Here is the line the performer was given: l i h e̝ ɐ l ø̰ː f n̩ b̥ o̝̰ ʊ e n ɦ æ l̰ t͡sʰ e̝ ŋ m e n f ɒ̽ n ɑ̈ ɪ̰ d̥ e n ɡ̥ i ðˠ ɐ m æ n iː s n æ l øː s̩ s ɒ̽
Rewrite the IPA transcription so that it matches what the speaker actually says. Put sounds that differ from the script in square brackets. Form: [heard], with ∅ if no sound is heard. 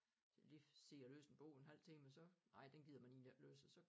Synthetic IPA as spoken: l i [s] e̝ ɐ l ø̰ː [s] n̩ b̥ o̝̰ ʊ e n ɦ æ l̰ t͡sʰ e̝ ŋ m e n [s] ɒ̽ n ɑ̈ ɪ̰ d̥ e n ɡ̥ i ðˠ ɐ m æ n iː [∅] n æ l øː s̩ s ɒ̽

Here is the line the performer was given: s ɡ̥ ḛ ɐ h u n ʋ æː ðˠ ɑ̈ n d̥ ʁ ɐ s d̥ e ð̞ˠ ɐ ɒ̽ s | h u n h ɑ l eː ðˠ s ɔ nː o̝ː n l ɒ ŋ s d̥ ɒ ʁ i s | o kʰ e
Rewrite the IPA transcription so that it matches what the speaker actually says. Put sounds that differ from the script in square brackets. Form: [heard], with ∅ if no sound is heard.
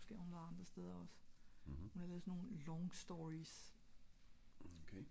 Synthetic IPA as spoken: s ɡ̥ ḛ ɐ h u n ʋ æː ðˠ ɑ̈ n d̥ ʁ ɐ s d̥ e ð̞ˠ ɐ ɒ̽ s | h u n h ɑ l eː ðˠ s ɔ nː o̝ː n l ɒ ŋ s d̥ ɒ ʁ i s | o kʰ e

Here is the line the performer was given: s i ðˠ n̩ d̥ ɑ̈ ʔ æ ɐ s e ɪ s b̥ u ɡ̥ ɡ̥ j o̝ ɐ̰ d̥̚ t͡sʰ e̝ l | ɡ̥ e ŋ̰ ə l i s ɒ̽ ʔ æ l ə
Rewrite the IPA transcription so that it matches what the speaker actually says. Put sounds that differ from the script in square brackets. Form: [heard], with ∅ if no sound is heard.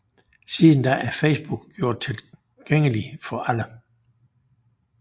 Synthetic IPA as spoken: s i ðˠ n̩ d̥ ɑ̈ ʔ æ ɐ [f] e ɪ s b̥ u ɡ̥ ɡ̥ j o̝ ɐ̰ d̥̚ t͡sʰ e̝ l | ɡ̥ e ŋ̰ ə l i [f] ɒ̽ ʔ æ l ə

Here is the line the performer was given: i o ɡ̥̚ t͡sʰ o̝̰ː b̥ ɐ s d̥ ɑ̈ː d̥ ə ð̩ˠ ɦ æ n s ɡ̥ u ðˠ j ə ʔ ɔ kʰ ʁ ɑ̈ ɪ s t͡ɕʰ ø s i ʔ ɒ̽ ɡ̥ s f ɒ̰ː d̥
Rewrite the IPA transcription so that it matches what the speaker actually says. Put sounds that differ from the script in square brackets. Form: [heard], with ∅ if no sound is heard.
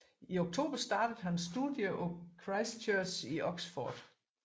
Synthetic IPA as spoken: i o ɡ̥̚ t͡sʰ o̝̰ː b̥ ɐ s d̥ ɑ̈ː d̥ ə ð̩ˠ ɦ æ n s [d̥] u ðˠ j ə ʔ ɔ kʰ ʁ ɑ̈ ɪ s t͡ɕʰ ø s i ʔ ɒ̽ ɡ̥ s f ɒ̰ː d̥

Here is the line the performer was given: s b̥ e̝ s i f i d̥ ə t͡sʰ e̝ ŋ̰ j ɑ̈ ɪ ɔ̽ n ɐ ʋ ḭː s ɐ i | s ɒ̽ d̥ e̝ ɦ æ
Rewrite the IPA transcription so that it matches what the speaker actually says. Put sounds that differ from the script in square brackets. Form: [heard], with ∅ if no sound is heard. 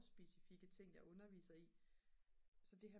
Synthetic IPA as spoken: s b̥ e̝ s i f i [ɡ̥] ə t͡sʰ e̝ ŋ̰ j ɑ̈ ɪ ɔ̽ n ɐ ʋ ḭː s ɐ i | s ɒ̽ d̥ e̝ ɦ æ

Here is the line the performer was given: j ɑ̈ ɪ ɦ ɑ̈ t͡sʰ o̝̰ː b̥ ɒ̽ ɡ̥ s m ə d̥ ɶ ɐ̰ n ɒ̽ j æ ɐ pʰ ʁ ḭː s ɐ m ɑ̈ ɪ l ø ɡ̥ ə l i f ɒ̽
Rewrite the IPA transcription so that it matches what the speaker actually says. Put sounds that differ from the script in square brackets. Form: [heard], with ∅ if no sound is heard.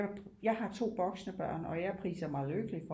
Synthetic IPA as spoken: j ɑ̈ ɪ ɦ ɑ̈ t͡sʰ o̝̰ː b̥ ɒ̽ ɡ̥ s [n] ə [b̥] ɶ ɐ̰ n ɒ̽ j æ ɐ pʰ ʁ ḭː s ɐ m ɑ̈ ɪ l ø ɡ̥ ə l i f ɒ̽

